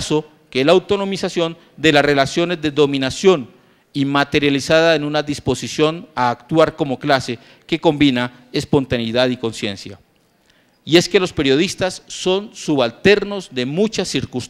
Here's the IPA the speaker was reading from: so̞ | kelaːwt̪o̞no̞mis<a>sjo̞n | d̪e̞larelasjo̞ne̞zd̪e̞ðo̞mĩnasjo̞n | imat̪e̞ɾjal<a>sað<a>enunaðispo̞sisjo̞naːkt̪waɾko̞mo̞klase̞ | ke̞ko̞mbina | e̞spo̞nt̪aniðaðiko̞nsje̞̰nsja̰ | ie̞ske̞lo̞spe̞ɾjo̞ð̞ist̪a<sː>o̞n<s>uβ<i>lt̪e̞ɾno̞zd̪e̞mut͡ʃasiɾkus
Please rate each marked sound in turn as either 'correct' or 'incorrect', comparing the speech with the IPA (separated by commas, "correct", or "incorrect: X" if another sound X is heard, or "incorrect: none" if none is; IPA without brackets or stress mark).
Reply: correct, incorrect: i, correct, correct, correct, incorrect: a